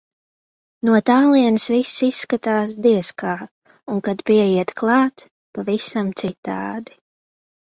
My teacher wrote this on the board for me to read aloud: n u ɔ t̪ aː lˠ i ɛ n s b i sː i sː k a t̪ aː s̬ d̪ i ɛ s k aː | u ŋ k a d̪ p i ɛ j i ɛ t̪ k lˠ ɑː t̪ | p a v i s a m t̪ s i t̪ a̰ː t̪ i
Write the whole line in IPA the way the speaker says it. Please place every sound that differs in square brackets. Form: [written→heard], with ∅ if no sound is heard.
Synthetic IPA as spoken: n u ɔ t̪ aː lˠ i ɛ n s [b→v] i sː i sː k a t̪ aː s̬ d̪ i ɛ s k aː | u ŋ k a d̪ p i ɛ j i ɛ t̪ k lˠ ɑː t̪ | p a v i s a m t̪ s i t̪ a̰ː [t̪→d̪] i